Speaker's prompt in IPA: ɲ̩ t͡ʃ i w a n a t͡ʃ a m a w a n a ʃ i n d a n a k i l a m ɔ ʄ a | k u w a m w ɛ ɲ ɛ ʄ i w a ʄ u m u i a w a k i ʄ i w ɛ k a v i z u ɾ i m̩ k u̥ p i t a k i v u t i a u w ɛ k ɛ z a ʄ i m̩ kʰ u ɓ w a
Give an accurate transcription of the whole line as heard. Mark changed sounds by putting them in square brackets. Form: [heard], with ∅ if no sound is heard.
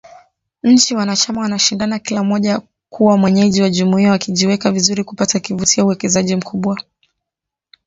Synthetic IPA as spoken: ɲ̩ t͡ʃ i w a n a t͡ʃ a m a w a n a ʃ i n d a n a k i l a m ɔ ʄ a | k u w a m w ɛ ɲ ɛ ʄ i w a ʄ u m u i a w a k i ʄ i w ɛ k a v i z u ɾ i [∅] k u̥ p [a] t a k i v u t i a u w ɛ k ɛ z a ʄ i m̩ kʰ u ɓ w a

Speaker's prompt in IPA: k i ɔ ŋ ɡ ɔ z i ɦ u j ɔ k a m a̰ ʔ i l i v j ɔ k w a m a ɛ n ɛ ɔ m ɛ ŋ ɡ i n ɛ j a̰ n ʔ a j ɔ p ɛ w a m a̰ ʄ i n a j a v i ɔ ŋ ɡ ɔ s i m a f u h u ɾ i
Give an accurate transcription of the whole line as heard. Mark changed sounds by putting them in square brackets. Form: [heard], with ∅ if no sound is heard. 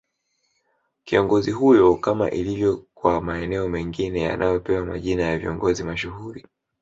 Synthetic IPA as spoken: k i ɔ ŋ ɡ ɔ z i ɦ u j ɔ k a m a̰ ʔ i l i v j ɔ k w a m a ɛ n ɛ ɔ m ɛ ŋ ɡ i n ɛ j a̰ n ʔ a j ɔ p ɛ w a m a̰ ʄ i n a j a v i ɔ ŋ ɡ ɔ [z] i m a [ʃ] u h u ɾ i

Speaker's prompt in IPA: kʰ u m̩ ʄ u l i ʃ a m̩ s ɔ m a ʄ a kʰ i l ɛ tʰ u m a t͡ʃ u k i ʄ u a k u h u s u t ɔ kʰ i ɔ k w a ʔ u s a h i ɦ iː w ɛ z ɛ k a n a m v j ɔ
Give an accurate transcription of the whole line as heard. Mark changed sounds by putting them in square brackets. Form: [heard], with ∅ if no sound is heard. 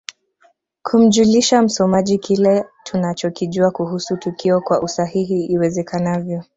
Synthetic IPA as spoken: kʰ u m̩ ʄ u l i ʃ a m̩ s ɔ m a ʄ [i] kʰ i l ɛ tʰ u [n] a t͡ʃ [ɔ] k i ʄ u a k u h u s u t [u] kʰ i ɔ k w a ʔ u s a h i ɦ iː w ɛ z ɛ k a n a [∅] v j ɔ

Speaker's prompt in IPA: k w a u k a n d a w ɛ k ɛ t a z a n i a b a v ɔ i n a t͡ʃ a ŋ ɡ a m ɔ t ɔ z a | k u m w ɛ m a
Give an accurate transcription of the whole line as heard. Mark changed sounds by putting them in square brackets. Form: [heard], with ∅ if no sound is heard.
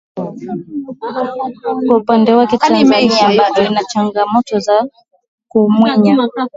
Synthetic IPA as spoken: k w a u [p] a n d [ɛ] w [a] k ɛ t a z a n i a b a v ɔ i n a t͡ʃ a ŋ ɡ a m ɔ t ɔ z a | k u m w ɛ [ɲ] a

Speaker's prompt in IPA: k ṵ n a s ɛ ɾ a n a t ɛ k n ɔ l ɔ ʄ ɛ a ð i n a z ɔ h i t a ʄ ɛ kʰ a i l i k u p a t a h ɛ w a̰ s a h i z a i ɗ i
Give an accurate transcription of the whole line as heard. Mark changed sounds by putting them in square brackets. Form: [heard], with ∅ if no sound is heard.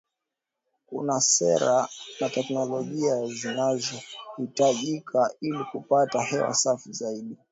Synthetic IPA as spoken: k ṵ n a s ɛ ɾ a n a t ɛ k n ɔ l ɔ ʄ [i] a [z] i n a z ɔ h i t a ʄ [i] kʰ a i l i k u p a t a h ɛ w a̰ s a [f] i z a i ɗ i

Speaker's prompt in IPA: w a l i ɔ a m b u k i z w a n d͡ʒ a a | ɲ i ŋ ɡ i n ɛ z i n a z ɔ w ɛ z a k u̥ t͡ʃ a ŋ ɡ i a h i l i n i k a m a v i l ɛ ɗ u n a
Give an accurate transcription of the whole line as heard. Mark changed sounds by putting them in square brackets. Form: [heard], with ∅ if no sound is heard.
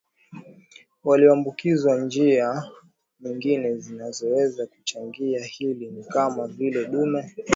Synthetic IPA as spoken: w a l i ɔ a m b u k i z w a n d͡ʒ [i] a | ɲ i ŋ ɡ i n ɛ z i n a z ɔ w ɛ z a k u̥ t͡ʃ a ŋ ɡ i a h i l i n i k a m a v i l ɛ ɗ u [m] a

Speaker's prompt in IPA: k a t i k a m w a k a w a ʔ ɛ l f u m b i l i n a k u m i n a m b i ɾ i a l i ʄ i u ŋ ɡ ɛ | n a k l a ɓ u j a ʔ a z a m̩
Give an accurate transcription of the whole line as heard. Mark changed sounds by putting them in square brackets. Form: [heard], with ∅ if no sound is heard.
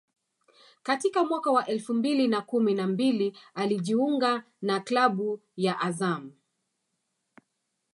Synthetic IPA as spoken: k a t i k a m w a k a w a ʔ ɛ l f u m b i l i n a k u m i n a m b i [l] i a l i ʄ i u ŋ ɡ [a] | n a k l a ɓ u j a ʔ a z a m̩

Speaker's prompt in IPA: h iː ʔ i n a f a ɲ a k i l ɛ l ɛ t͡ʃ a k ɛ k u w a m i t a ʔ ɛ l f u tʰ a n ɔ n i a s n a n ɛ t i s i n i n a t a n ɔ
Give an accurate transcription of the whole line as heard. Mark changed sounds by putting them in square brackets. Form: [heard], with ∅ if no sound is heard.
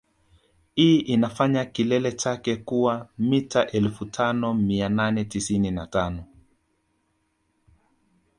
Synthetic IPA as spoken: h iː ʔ i n a f a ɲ a k i l ɛ l ɛ t͡ʃ a k ɛ k u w a m i t a ʔ ɛ l f u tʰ a n ɔ [m] i a [∅] n a n ɛ t i s i n i n a t a n ɔ

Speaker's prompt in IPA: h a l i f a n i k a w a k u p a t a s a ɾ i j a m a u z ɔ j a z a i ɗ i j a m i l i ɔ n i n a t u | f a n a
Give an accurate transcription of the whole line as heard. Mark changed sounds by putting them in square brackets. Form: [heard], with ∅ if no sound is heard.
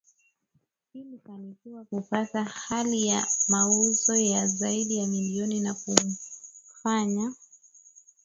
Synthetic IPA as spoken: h [i] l i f a n i k [i] w a k u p a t a [h] a [l] i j a m a u z ɔ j a z a i ɗ i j a m i l i ɔ n i n a [k] u | f a [ɲ] a

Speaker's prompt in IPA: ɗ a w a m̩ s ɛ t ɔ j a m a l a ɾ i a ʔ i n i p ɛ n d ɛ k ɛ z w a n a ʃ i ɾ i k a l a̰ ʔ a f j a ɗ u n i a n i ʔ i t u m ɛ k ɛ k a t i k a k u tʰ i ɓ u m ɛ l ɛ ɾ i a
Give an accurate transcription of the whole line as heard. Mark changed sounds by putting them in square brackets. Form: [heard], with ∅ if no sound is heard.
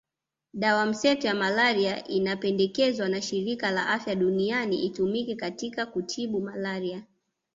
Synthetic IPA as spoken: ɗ a w a m̩ s ɛ t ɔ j a m a l a ɾ i a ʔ i n [a] p ɛ n d ɛ k ɛ z w a n a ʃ i ɾ i k a l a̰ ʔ a f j a ɗ u n i a n i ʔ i t u m [i] k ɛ k a t i k a k u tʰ i ɓ u m [a] l [a] ɾ i a

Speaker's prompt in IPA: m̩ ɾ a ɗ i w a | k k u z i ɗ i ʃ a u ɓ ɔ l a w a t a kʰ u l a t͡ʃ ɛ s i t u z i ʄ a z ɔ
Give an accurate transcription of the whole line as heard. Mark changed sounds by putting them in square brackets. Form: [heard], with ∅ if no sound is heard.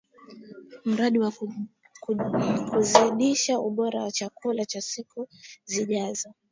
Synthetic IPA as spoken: m̩ ɾ a ɗ i w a | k k u z i ɗ i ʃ a u ɓ ɔ [ɾ] a w a [t͡ʃ] a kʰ u l a t͡ʃ [a] s i [k] u z i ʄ a z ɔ

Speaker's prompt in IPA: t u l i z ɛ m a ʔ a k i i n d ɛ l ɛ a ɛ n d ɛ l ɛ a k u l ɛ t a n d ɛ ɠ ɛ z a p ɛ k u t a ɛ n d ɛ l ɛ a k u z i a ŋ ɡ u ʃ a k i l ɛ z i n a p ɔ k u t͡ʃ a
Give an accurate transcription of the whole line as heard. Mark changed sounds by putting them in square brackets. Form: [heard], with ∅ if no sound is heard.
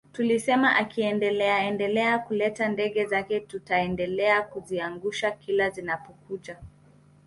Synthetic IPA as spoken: t u l i [s] ɛ m a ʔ a k i [ɛ] n d ɛ l ɛ a ɛ n d ɛ l ɛ a k u l ɛ t a n d ɛ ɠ ɛ z a [k] ɛ [t] u t a ɛ n d ɛ l ɛ a k u z i a ŋ ɡ u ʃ a k i l [a] z i n a p ɔ k u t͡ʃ a

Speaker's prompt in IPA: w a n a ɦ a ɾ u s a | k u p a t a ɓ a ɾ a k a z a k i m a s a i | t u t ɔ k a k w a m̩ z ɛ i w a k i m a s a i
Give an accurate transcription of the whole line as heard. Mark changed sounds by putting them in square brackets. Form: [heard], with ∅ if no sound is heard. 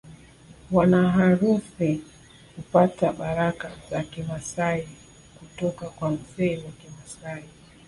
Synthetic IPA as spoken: w a n a ɦ a ɾ u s [i] | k u p a t a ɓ a ɾ a k a z a k i m a s a i | [k] u t ɔ k a k w a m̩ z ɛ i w a k i m a s a i

